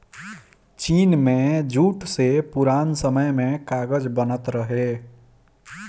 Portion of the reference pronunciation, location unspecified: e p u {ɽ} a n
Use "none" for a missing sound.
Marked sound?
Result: ɾ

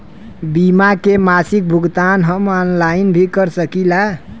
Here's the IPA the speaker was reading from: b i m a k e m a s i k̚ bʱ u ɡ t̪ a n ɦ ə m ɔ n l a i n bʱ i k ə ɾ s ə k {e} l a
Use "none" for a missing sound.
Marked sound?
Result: i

